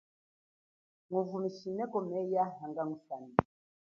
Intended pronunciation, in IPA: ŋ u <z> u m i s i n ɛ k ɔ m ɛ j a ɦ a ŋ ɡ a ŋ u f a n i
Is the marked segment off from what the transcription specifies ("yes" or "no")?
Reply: yes